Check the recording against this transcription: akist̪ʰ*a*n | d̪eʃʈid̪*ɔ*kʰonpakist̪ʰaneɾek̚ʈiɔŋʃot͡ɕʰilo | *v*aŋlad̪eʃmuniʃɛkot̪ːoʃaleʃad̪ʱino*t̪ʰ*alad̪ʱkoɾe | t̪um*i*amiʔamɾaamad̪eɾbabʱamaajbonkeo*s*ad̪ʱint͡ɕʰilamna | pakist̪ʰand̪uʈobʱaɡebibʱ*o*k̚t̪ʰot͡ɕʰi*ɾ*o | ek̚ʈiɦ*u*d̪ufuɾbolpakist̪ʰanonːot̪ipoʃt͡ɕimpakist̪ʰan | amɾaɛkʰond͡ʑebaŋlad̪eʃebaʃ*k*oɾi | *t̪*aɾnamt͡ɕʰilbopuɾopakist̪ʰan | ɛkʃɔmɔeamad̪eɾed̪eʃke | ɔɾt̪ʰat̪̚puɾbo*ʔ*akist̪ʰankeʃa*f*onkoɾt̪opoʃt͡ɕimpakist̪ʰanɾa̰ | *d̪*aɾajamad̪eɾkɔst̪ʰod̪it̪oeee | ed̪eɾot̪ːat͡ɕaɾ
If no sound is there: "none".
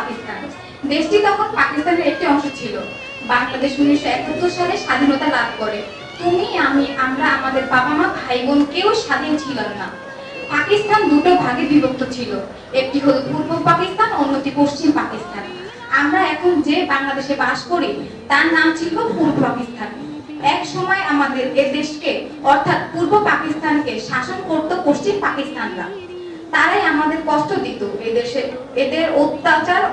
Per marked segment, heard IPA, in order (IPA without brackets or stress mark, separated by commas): a, ɔ, b, t̪, i, ʃ, o, l, o, k, t̪, p, ʃ, t̪